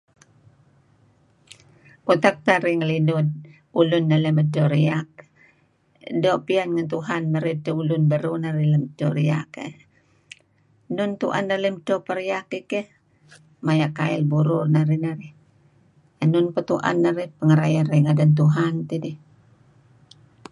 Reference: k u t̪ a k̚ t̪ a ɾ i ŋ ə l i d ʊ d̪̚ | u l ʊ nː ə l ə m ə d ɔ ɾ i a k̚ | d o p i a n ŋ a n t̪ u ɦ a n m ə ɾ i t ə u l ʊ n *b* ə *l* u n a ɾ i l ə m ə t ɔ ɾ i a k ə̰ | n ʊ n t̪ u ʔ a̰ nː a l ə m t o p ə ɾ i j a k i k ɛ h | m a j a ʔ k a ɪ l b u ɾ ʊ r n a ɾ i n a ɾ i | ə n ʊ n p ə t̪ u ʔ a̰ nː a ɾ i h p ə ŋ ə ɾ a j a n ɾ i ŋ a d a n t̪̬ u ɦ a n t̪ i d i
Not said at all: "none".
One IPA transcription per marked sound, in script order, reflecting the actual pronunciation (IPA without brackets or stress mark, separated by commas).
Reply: b, ɾ